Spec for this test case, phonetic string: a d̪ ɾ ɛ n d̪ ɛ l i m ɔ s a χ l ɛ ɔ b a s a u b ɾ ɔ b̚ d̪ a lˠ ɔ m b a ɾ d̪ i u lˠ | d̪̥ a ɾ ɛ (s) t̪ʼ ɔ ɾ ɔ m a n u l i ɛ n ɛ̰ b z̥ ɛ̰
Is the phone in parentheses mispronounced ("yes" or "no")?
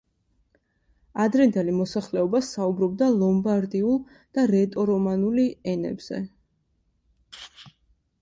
yes